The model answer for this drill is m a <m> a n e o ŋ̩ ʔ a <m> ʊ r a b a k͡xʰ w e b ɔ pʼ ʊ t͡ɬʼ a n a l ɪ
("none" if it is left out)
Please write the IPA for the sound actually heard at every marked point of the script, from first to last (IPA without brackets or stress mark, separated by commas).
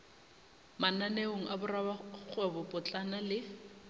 n, b